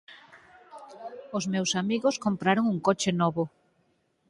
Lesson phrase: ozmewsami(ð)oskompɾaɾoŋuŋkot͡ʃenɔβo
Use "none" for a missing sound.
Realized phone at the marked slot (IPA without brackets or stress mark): ɣ